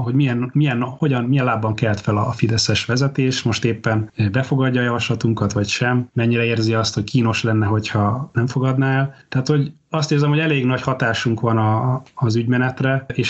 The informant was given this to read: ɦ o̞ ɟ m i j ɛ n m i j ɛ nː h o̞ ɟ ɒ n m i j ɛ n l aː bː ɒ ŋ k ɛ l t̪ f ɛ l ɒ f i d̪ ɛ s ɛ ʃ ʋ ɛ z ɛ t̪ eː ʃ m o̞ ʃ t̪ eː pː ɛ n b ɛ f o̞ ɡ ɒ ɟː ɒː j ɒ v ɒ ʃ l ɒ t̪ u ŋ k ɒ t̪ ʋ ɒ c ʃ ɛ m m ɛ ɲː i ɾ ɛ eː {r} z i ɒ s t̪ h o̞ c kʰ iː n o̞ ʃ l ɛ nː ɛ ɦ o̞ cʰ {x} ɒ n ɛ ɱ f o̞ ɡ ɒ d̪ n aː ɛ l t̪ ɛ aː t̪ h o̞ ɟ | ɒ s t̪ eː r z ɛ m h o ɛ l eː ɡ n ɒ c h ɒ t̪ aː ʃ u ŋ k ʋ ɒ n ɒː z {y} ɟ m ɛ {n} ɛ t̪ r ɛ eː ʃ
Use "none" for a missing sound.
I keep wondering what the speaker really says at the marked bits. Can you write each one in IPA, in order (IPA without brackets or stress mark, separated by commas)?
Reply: r, h, y, n